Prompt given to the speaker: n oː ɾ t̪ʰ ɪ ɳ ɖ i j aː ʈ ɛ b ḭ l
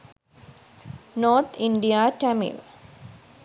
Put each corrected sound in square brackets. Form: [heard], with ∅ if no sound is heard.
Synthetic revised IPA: n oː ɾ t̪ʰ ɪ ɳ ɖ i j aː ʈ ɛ [m] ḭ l